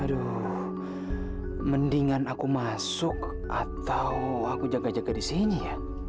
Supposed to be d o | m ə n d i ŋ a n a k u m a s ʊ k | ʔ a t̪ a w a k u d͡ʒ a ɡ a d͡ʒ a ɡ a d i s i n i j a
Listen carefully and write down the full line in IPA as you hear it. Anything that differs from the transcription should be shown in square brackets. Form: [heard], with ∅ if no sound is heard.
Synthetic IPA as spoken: d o | m ə n d i ŋ a n a k u m a s ʊ k | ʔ a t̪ a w a k u d͡ʒ a ɡ a d͡ʒ a ɡ a d i s i n i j a